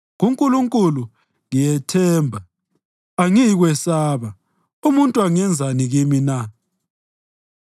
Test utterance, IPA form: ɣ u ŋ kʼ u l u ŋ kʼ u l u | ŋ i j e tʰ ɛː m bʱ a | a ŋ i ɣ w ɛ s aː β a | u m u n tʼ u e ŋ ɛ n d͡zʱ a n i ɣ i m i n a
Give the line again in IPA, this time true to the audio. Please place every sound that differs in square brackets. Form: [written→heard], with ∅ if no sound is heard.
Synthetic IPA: ɣ u ŋ kʼ u l u ŋ kʼ u l u | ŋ i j [e→ɛ] tʰ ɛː m bʱ a | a ŋ i ɣ w ɛ s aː β a | u m u n tʼ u [e→a] ŋ ɛ n d͡zʱ a n i ɣ i m i n a